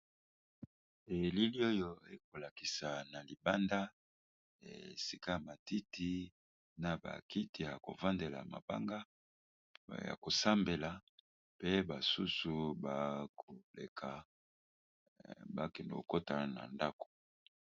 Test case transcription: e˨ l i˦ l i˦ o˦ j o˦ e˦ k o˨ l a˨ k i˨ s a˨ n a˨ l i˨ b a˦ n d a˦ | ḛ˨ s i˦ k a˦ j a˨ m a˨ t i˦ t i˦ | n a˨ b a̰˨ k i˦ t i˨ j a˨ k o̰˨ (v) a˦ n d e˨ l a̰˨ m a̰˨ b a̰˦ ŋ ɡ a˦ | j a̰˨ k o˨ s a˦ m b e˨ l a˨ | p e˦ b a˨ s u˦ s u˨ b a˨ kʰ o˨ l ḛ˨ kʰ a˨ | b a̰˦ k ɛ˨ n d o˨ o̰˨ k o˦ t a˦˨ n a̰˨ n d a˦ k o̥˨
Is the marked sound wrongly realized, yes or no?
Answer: no